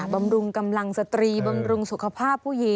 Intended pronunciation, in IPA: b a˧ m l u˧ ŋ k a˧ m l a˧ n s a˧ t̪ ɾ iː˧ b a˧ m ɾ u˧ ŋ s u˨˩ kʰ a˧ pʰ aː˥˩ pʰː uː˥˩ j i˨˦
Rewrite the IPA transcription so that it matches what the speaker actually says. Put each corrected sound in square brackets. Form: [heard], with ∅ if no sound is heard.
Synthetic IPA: b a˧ m [ɾ] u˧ ŋ k a˧ m l a˧ [ŋ] s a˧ t̪ ɾ iː˧ b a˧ m ɾ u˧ ŋ s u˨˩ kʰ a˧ pʰ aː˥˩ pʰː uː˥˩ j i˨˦